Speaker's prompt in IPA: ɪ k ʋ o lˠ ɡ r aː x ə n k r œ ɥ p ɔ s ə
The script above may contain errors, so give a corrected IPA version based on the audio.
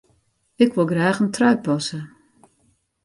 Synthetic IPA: ɪ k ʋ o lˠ ɡ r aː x ə n t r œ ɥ p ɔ s ə